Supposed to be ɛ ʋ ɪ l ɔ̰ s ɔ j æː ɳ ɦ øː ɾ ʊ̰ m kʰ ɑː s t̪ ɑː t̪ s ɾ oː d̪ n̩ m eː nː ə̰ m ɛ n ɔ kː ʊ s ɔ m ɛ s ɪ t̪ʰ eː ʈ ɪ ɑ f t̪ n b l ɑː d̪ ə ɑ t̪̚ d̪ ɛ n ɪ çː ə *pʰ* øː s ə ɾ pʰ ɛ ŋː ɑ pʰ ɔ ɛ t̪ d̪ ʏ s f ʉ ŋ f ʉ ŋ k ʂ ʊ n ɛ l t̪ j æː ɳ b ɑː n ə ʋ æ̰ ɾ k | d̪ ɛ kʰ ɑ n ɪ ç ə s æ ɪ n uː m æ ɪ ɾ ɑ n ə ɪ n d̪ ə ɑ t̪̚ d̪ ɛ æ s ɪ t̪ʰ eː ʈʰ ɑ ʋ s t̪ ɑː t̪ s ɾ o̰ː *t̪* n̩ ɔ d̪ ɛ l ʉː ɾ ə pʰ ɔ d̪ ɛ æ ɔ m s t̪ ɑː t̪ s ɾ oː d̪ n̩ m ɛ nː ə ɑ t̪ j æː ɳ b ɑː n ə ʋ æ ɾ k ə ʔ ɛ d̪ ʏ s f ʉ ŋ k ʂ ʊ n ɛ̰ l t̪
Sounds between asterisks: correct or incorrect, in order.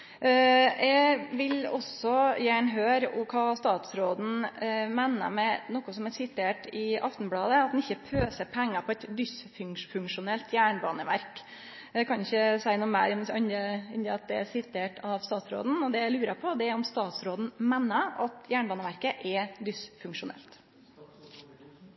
correct, incorrect: d̪

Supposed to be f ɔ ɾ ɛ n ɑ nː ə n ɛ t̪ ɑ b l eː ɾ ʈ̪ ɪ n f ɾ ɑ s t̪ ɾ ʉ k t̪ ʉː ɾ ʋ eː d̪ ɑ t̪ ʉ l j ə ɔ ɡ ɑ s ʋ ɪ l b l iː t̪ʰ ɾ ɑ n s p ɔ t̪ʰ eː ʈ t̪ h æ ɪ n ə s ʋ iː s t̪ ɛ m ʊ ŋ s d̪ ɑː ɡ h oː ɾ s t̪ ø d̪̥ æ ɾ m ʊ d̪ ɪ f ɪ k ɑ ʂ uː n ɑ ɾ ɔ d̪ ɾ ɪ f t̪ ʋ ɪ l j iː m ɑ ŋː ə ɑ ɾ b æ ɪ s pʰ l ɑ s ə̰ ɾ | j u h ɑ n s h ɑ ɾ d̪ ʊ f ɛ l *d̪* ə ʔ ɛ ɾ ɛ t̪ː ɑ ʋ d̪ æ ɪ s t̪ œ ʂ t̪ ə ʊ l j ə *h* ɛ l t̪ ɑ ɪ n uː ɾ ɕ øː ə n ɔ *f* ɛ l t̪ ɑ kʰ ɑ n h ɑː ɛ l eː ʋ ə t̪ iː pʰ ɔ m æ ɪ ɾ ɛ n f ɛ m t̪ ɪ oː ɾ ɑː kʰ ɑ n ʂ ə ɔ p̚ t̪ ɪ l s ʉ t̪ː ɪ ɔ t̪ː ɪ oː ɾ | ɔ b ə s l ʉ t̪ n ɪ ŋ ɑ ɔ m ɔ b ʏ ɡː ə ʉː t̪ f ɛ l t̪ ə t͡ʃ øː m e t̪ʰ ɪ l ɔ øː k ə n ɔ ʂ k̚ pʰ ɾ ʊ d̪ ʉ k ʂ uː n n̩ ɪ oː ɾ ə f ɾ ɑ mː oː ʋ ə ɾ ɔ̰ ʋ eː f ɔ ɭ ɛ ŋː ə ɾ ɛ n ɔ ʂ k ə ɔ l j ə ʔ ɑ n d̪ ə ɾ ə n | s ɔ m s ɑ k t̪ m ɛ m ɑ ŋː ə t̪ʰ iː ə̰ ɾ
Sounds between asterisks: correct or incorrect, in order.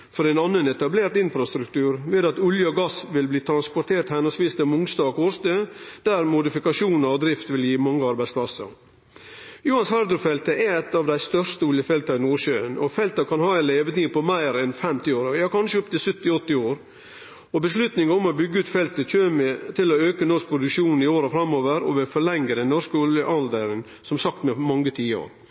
incorrect: t̪, incorrect: f, correct

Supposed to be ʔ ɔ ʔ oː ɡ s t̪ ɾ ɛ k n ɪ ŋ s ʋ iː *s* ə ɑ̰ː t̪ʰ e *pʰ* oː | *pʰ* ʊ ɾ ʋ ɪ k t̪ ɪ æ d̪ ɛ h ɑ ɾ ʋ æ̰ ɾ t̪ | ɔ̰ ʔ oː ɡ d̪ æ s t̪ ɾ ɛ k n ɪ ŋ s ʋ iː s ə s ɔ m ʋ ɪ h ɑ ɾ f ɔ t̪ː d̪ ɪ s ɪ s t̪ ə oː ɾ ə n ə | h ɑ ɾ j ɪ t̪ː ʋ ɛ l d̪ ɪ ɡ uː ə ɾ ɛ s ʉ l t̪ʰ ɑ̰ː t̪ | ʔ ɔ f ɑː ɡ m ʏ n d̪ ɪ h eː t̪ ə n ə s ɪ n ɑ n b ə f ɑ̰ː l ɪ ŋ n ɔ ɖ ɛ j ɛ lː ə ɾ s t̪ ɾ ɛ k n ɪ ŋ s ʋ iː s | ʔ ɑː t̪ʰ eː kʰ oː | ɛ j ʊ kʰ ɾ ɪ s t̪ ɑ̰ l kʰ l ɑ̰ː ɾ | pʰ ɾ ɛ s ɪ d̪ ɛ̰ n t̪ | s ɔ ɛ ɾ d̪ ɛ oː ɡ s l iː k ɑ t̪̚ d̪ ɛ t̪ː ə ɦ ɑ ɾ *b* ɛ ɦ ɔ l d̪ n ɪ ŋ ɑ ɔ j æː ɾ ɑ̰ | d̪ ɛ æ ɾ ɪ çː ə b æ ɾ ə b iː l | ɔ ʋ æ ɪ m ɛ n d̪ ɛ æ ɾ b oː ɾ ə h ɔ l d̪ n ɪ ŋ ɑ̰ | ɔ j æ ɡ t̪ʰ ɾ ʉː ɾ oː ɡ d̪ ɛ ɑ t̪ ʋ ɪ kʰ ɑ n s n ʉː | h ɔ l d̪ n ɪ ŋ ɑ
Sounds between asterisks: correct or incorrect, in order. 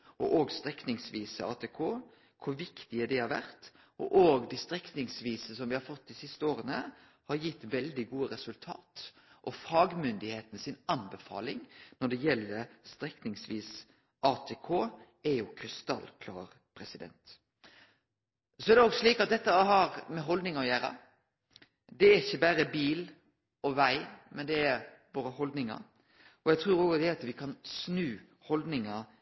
correct, incorrect: kʰ, incorrect: kʰ, incorrect: m

